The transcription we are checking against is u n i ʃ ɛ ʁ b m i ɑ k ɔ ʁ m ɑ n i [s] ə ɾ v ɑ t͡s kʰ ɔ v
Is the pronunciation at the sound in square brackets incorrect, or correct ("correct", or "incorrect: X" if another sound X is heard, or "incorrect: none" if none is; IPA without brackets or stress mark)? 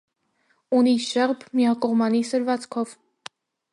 correct